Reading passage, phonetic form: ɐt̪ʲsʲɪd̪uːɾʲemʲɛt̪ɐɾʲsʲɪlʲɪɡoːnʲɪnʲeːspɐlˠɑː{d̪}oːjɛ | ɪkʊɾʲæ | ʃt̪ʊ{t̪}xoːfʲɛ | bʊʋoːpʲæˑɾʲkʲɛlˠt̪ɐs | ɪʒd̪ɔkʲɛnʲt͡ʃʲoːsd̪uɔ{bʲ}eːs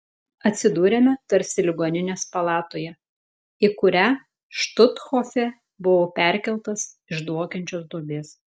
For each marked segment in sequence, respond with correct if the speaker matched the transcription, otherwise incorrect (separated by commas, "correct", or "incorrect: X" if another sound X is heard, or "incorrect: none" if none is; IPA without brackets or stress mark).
incorrect: t̪, correct, correct